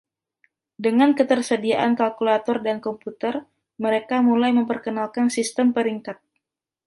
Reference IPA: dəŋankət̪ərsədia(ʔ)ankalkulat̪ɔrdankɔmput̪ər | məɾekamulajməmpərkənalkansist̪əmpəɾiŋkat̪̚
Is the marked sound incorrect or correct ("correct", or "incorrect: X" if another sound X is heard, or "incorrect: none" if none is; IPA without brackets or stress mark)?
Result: correct